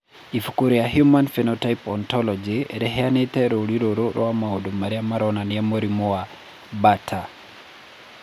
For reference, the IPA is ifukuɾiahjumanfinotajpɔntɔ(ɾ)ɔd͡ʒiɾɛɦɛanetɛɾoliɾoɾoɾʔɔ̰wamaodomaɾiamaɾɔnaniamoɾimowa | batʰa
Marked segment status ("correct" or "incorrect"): incorrect